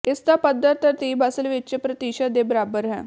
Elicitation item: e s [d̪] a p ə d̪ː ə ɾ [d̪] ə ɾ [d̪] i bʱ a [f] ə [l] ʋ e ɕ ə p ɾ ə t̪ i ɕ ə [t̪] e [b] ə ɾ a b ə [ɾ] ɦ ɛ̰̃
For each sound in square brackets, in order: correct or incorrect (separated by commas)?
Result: incorrect, incorrect, incorrect, incorrect, correct, incorrect, correct, correct